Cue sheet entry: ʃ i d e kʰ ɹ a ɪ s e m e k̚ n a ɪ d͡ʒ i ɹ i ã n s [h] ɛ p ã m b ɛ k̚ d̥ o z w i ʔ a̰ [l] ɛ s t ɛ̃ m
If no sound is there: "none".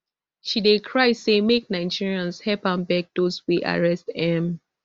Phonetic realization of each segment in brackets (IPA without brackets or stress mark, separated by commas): h, ɹ